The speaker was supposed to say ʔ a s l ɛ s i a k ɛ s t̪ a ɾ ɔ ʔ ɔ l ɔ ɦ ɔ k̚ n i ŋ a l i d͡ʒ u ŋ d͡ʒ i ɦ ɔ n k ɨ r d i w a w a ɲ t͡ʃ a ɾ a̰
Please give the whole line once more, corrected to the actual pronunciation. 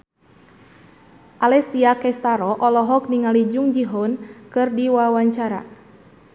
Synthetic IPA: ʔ a l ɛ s i a k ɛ s t̪ a ɾ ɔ ʔ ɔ l ɔ ɦ ɔ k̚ n i ŋ a l i d͡ʒ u ŋ d͡ʒ i ɦ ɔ n k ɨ r d i w a w a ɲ t͡ʃ a ɾ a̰

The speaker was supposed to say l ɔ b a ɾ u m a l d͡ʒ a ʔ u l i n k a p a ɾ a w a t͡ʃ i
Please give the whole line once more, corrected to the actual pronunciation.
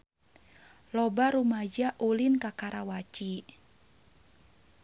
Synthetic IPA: l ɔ b a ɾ u m a d͡ʒ a ʔ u l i n k a k a ɾ a w a t͡ʃ i

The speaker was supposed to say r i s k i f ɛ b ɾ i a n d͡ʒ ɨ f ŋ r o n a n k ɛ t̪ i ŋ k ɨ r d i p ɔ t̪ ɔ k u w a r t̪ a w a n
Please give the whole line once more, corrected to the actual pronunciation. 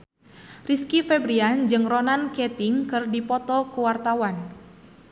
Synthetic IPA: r i s k i f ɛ b ɾ i a n d͡ʒ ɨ ŋ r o n a n k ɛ t̪ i ŋ k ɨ r d i p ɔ t̪ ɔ k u w a r t̪ a w a n

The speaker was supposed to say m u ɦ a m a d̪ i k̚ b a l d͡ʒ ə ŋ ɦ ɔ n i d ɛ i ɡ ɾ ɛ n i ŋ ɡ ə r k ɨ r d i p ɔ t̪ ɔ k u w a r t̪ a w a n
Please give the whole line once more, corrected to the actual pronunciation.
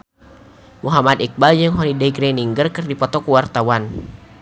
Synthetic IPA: m u ɦ a m a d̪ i k̚ b a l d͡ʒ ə ŋ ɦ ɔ n i d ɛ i ɡ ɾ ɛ n i ŋ ɡ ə r k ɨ r d i p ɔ t̪ ɔ k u w a r t̪ a w a n

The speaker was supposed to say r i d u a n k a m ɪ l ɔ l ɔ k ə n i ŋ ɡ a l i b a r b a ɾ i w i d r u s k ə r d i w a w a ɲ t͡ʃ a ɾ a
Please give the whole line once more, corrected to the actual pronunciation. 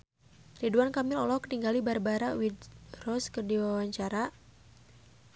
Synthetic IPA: r i d u a n k a m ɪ l ɔ l ɔ k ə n i ŋ ɡ a l i b a r b a ɾ a w i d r ɔ s k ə r d i w a w a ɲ t͡ʃ a ɾ a

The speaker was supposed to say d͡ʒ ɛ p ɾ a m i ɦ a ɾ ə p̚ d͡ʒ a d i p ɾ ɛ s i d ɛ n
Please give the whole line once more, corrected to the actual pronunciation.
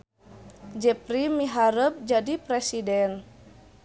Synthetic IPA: d͡ʒ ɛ p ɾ i m i ɦ a ɾ ə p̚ d͡ʒ a d i p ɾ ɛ s i d ɛ n

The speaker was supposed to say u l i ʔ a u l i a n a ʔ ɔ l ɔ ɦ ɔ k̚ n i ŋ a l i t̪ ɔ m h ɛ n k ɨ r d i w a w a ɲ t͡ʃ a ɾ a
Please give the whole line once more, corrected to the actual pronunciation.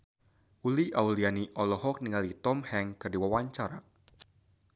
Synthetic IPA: u l i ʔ a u l i a n i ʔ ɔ l ɔ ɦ ɔ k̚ n i ŋ a l i t̪ ɔ m h ɛ ŋ k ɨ r d i w a w a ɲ t͡ʃ a ɾ a

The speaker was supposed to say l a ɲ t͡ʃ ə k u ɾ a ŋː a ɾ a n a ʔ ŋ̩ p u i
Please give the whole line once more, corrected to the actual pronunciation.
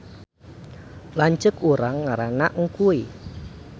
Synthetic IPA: l a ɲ t͡ʃ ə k u ɾ a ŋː a ɾ a n a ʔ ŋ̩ k u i

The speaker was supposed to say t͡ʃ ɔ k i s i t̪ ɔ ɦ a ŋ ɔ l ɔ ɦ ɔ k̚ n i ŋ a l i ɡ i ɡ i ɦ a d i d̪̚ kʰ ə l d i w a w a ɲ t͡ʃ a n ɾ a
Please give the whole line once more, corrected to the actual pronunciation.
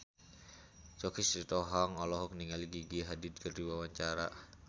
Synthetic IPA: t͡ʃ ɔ k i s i t̪ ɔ ɦ a ŋ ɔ l ɔ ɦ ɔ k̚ n i ŋ a l i ɡ i ɡ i ɦ a d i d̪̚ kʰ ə r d i w a w a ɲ t͡ʃ a ɾ a

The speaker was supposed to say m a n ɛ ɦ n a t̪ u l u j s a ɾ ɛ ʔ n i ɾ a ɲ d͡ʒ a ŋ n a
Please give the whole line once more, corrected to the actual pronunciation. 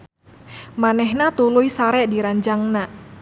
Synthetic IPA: m a n ɛ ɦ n a t̪ u l u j s a ɾ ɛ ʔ d i ɾ a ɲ d͡ʒ a ŋ n a

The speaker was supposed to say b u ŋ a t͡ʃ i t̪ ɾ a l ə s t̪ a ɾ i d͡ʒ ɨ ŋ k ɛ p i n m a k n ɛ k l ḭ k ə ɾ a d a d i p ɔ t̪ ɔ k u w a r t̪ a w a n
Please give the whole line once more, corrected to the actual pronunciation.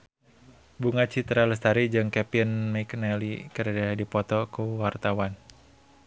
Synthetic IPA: b u ŋ a t͡ʃ i t̪ ɾ a l ə s t̪ a ɾ i d͡ʒ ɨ ŋ k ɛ p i n m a k n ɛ l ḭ k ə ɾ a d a d i p ɔ t̪ ɔ k u w a r t̪ a w a n

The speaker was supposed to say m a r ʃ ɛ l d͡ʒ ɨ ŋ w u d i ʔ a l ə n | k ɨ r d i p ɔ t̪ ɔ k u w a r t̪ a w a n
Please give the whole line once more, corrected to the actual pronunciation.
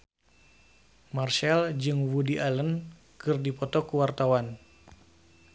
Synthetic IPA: m a r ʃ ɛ l d͡ʒ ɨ ŋ w u d i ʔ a l ə n | k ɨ r d i p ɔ t̪ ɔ k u w a r t̪ a w a n

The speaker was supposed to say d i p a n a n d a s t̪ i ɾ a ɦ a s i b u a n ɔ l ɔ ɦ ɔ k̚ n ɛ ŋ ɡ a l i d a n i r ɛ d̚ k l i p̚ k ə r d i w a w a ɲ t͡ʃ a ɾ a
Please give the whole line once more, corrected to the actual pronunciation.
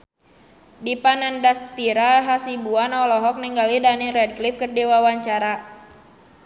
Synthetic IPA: d i p a n a n d a s t̪ i ɾ a ɦ a s i b u a n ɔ l ɔ ɦ ɔ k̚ n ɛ ŋ ɡ a l i d a n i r ɛ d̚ k l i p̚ k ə r d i w a w a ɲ t͡ʃ a ɾ a

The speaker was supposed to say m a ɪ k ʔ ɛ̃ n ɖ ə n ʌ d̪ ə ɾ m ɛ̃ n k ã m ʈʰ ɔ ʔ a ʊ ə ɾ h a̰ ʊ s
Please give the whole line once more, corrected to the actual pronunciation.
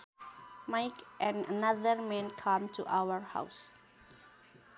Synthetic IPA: m a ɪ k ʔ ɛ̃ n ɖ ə n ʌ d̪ ə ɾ m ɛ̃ n kʰ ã m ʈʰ u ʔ a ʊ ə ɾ h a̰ ʊ s

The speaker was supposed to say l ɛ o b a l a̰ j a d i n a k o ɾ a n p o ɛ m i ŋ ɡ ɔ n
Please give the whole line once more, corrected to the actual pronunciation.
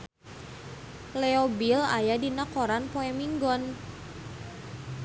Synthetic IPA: l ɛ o b i l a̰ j a d i n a k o ɾ a n p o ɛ m i ŋ ɡ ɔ n

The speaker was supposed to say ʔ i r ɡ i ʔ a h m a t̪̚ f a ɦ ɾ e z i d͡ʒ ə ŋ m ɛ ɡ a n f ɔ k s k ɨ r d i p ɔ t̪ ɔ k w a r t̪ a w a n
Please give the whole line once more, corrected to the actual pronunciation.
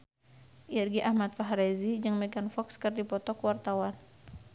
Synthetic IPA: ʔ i r ɡ i ʔ a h m a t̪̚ f a ɦ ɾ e z i d͡ʒ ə ŋ m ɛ ɡ a n f ɔ k s k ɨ r d i p ɔ t̪ ɔ k w a r t̪ a w a n

